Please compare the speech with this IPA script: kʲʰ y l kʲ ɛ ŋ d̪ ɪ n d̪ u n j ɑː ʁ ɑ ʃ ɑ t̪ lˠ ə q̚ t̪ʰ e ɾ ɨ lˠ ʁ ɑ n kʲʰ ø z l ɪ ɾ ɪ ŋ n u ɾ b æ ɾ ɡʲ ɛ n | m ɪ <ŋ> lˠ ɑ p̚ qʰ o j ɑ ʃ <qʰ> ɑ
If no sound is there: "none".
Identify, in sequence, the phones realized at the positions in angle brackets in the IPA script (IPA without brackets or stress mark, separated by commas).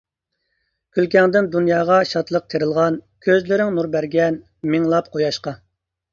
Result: ŋ, q